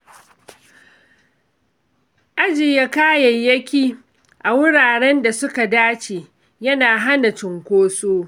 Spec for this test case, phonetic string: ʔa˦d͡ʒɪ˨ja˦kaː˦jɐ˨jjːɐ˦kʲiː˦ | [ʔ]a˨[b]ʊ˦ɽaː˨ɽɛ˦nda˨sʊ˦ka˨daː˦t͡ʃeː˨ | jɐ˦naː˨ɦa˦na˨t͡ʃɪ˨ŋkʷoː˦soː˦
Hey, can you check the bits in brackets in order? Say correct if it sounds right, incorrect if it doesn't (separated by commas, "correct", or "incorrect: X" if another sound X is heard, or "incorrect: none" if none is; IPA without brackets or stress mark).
correct, incorrect: w